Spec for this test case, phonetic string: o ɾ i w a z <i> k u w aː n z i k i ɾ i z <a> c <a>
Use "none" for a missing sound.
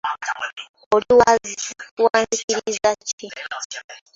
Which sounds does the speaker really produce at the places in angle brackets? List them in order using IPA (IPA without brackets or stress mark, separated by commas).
i, a, i